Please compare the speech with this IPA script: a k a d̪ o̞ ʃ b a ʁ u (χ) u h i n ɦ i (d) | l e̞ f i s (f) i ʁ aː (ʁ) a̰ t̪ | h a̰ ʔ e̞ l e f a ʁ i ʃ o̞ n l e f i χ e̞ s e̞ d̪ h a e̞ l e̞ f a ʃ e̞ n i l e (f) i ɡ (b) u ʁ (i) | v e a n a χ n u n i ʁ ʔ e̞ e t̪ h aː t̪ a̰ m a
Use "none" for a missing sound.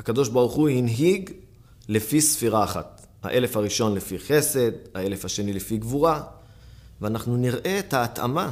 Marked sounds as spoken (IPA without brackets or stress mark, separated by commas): χ, ɡ, f, χ, f, v, a